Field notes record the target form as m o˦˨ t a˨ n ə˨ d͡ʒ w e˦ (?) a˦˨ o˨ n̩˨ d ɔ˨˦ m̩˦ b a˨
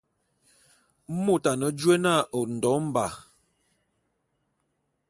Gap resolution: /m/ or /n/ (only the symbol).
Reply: n